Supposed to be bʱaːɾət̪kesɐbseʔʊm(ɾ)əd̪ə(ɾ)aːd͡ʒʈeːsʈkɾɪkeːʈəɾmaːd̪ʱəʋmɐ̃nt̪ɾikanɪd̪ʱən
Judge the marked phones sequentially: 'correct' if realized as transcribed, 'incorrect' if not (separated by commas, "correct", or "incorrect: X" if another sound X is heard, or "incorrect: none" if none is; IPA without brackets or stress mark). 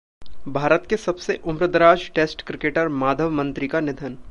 correct, correct